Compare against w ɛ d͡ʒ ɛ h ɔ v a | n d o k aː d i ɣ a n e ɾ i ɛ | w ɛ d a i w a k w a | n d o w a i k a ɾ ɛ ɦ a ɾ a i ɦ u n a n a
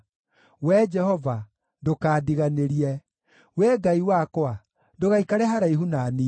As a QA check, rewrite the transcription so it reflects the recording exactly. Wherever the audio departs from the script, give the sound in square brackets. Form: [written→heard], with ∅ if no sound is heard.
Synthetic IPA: w ɛ d͡ʒ ɛ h ɔ v a | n d o k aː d i ɣ a n e ɾ i ɛ | w ɛ [d→ɡ] a i w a k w a | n d o [w→ɣ] a i k a ɾ ɛ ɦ a ɾ a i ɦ u n a n [a→i]